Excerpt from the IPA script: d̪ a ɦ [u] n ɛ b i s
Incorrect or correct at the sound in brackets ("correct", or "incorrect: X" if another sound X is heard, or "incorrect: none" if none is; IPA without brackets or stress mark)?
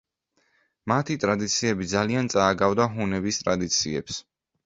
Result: correct